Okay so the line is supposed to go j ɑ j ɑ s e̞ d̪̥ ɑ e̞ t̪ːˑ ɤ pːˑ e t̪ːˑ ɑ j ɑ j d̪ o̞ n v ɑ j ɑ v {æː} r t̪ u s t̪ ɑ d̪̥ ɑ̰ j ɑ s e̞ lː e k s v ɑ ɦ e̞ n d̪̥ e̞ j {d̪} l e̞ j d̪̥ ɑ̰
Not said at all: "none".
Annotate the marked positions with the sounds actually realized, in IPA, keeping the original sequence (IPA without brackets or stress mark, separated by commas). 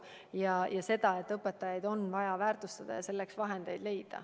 æː, d̪